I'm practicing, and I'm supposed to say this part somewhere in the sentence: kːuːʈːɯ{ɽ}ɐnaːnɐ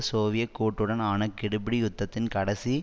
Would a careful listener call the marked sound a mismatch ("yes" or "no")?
no